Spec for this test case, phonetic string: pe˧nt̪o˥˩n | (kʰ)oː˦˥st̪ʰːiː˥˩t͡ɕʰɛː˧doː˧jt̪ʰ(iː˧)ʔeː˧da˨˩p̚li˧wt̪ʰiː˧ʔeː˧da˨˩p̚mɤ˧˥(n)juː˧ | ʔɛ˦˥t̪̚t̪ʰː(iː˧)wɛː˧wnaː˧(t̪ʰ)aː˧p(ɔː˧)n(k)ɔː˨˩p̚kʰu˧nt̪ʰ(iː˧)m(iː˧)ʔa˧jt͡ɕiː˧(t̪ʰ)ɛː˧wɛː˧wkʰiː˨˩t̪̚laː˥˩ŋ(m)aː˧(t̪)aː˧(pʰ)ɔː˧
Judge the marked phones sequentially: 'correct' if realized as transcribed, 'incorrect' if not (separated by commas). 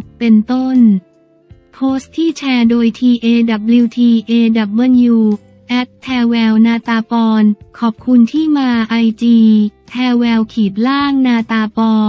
incorrect, correct, correct, incorrect, incorrect, correct, incorrect, incorrect, incorrect, correct, incorrect, correct, incorrect